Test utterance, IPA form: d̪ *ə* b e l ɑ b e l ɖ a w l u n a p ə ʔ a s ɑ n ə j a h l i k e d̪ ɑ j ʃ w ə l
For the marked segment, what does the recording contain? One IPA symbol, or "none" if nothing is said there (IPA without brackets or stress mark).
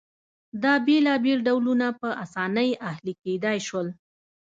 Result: ɑ